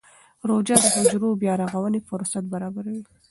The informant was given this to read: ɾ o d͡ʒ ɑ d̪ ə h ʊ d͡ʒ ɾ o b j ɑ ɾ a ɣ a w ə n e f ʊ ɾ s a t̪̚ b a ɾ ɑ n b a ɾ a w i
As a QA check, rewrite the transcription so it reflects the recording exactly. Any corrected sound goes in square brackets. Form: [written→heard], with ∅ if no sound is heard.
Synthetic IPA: ɾ o d͡ʒ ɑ d̪ ə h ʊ d͡ʒ ɾ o b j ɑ ɾ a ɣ a w ə n e f ʊ ɾ s a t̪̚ b a ɾ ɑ [n→∅] b a ɾ a w i